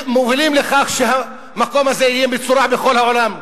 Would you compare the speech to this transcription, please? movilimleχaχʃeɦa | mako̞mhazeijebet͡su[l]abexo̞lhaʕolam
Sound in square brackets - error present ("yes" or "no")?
yes